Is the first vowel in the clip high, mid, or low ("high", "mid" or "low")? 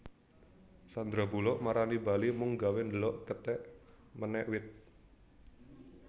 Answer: low